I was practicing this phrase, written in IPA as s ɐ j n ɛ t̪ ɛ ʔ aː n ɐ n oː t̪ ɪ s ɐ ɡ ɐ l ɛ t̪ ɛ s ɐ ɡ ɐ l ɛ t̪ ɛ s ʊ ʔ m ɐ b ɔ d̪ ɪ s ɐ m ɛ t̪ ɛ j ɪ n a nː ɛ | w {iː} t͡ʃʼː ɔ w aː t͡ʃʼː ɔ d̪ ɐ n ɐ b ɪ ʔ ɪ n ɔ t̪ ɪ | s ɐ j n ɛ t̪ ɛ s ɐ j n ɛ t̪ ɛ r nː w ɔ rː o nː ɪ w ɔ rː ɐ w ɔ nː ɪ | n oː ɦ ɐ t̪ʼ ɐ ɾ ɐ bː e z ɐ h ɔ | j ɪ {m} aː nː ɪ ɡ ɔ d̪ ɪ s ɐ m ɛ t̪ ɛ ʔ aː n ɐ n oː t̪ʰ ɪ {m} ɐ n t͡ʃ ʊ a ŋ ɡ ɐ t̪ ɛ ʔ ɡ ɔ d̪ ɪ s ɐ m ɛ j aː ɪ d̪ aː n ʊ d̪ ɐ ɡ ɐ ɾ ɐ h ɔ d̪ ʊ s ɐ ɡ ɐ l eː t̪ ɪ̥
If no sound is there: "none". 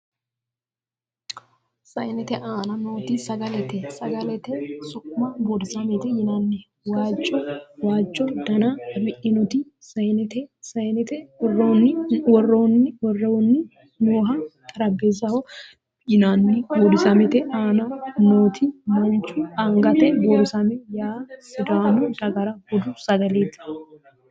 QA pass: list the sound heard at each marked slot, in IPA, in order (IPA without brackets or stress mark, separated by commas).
aː, n, m